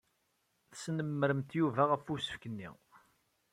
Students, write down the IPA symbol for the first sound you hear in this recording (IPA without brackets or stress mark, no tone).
θ